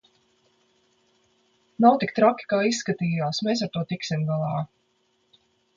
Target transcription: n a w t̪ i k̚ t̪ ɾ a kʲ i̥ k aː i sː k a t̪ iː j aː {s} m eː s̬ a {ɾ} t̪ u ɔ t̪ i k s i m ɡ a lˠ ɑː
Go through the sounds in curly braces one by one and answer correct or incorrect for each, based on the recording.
correct, correct

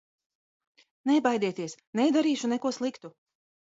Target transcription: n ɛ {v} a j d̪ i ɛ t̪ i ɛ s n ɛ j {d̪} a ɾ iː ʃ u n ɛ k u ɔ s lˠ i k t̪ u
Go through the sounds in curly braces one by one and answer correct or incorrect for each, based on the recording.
incorrect: b, correct

